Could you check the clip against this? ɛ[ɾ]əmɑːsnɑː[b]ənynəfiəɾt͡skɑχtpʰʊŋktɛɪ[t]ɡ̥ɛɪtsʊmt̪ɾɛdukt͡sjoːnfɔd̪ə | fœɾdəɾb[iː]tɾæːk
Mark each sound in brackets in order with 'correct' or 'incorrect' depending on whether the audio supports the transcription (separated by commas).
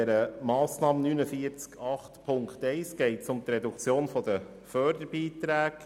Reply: correct, incorrect, incorrect, correct